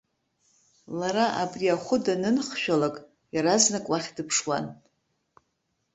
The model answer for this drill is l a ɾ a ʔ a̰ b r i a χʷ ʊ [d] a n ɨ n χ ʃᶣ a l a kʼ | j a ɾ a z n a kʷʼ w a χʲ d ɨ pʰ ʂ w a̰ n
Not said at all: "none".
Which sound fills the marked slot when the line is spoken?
d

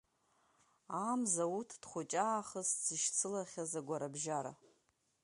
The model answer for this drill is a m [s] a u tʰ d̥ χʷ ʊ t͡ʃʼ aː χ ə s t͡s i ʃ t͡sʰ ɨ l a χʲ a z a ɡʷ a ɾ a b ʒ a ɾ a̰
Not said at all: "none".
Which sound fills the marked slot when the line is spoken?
z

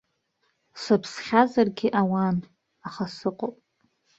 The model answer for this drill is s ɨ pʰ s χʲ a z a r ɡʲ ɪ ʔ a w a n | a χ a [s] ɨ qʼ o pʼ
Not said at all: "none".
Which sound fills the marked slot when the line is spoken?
s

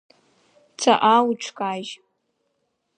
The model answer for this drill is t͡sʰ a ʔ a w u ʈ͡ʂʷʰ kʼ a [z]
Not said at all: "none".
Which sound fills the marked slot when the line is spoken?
ʒ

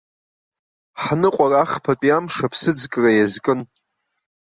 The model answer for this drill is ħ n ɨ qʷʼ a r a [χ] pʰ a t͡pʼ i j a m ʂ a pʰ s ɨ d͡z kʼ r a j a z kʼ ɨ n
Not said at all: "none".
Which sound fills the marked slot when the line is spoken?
χ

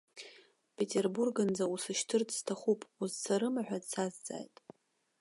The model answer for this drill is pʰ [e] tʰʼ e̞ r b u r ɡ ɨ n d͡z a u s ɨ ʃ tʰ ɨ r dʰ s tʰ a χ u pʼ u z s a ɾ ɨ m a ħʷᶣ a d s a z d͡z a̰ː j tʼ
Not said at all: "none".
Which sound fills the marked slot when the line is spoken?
e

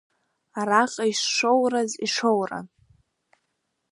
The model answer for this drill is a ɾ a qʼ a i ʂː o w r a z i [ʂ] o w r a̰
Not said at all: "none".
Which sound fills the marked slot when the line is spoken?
ʂ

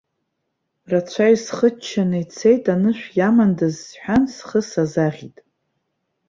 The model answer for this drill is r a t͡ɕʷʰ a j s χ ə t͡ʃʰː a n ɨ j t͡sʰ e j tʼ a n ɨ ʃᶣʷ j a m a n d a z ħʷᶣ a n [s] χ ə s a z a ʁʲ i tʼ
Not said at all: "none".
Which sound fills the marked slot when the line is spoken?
s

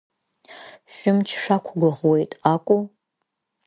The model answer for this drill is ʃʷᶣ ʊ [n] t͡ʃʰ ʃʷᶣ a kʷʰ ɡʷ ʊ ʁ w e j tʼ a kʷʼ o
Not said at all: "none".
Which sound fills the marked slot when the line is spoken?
m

